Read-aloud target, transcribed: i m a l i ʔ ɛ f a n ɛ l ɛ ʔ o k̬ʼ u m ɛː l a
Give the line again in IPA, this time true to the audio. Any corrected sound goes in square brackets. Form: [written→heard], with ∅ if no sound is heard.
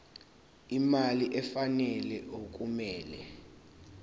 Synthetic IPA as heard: i m a l i ʔ ɛ f a n ɛ l ɛ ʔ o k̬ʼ u m ɛː l [a→ɛ]